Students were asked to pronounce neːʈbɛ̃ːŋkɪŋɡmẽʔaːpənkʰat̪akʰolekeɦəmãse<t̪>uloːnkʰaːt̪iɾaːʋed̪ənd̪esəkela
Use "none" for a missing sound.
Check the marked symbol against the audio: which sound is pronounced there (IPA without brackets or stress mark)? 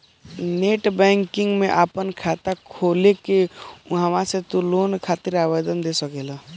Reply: t̪